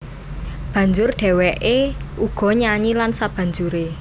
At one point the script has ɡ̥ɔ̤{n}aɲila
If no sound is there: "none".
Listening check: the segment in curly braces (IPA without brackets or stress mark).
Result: ɲ